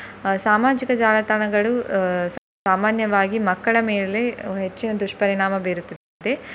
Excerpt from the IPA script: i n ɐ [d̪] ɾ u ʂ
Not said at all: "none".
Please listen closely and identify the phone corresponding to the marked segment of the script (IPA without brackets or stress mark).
d̪